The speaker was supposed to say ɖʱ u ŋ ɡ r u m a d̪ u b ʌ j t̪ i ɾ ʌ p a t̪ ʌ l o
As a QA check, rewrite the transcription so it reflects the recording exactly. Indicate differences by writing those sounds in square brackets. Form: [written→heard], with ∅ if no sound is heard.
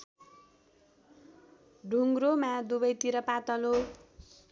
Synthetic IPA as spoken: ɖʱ u ŋ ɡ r [u→o] m a d̪ u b ʌ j t̪ i ɾ ʌ p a t̪ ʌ l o